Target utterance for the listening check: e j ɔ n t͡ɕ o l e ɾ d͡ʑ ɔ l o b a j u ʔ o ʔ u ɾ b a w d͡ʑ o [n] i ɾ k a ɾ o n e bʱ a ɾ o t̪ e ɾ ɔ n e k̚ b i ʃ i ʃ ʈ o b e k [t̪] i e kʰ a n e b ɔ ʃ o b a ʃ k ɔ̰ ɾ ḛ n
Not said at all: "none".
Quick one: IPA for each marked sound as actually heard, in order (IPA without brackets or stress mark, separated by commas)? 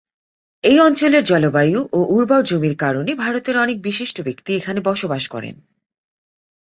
m, t̪